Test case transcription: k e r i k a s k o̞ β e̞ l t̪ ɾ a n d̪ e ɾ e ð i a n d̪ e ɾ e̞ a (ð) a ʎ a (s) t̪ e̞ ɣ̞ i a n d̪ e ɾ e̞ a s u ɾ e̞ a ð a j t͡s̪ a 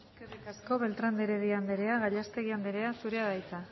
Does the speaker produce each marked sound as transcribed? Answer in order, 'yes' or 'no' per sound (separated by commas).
no, yes